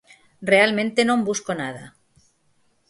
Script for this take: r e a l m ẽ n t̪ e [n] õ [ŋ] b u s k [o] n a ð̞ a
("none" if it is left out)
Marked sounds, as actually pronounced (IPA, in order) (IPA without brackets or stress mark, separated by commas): n, m, o